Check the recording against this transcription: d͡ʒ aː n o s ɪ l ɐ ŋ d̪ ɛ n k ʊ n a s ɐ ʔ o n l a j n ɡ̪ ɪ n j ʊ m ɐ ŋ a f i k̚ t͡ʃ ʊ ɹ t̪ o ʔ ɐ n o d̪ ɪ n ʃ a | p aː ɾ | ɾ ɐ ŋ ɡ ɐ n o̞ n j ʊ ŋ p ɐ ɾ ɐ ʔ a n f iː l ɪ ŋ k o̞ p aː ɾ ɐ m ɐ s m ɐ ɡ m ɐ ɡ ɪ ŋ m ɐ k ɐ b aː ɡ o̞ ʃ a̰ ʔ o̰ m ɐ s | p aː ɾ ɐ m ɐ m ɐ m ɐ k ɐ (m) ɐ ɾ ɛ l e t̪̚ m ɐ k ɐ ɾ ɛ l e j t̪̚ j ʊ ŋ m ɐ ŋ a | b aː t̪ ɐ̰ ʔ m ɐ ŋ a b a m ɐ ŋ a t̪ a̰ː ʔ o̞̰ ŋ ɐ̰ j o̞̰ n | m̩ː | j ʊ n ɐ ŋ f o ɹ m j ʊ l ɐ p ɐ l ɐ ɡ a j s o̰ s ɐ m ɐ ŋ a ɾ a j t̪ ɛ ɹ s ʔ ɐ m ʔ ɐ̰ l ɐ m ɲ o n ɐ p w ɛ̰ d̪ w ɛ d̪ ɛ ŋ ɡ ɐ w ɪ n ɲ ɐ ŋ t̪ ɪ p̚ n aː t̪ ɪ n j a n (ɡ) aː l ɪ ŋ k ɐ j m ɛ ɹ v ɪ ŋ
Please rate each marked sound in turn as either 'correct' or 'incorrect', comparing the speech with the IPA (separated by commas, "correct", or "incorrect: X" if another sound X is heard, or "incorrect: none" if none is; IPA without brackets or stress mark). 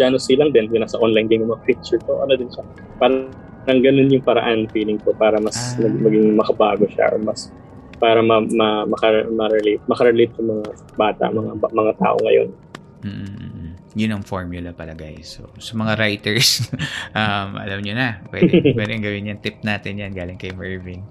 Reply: correct, correct